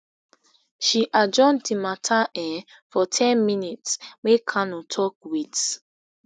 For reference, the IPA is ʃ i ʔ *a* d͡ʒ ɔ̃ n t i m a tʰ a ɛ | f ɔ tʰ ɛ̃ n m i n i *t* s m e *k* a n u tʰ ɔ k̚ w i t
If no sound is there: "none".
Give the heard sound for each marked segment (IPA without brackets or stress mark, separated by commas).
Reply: a, t, kʰ